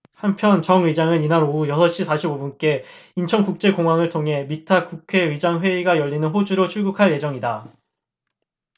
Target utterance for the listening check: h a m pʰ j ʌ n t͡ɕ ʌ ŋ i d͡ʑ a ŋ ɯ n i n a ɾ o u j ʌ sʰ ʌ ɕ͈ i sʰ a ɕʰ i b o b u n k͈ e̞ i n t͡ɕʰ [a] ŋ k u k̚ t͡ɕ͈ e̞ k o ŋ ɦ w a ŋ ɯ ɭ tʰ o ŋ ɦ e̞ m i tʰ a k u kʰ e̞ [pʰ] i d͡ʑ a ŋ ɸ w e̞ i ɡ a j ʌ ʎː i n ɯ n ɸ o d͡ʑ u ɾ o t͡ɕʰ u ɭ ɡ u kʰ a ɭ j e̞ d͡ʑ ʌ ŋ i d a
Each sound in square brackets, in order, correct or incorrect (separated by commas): incorrect, incorrect